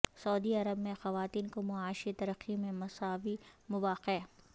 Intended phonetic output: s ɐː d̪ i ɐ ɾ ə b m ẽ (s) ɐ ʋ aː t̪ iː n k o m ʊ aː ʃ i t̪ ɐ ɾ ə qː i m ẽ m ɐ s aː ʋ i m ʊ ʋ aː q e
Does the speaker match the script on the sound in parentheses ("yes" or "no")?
no